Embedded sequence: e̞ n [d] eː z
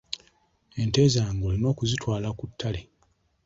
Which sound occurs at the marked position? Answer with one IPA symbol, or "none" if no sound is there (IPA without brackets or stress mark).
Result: t